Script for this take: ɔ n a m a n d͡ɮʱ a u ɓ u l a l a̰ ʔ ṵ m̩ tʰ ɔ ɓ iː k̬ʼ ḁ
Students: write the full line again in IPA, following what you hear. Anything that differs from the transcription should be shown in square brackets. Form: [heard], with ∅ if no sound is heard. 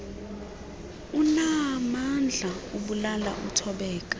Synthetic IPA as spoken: [u] n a m a n d͡ɮʱ a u ɓ u l a l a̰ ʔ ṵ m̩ tʰ ɔ ɓ [ɛː] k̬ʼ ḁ